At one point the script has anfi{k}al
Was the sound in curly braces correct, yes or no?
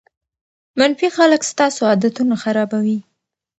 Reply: no